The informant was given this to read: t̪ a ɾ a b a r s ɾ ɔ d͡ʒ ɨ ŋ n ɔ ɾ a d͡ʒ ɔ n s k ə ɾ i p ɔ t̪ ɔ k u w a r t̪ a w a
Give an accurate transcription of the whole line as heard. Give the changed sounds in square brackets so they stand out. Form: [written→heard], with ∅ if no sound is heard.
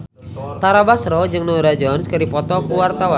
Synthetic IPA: t̪ a ɾ a b a [r→∅] s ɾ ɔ d͡ʒ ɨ ŋ n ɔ ɾ a d͡ʒ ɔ n s k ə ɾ i p ɔ t̪ ɔ k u w a r t̪ a w a